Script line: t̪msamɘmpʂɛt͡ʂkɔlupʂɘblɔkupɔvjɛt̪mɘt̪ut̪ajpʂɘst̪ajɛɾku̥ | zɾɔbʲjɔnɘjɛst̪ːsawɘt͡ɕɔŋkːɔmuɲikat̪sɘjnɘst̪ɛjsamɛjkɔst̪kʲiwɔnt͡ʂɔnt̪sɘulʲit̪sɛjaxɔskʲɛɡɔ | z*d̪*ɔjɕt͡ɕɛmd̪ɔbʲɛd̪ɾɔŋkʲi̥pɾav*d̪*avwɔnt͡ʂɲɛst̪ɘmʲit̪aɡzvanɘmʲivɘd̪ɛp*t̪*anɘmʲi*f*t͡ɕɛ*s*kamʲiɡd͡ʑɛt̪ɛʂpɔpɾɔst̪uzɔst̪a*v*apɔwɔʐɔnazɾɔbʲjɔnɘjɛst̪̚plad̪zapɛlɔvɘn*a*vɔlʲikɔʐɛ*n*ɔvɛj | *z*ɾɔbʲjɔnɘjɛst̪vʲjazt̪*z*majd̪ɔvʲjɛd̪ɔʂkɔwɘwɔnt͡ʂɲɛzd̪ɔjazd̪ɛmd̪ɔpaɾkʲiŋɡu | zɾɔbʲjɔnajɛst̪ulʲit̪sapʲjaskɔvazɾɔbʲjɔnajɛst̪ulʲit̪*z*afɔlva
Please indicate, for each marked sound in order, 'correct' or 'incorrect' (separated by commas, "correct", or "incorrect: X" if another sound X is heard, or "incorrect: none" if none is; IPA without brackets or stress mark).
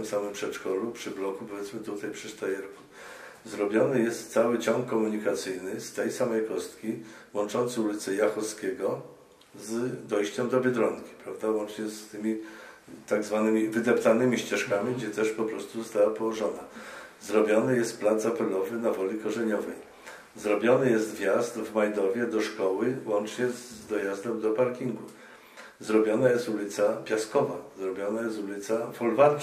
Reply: correct, correct, correct, incorrect: ɕ, incorrect: ʂ, incorrect: w, correct, incorrect: ɲ, correct, incorrect: v, incorrect: s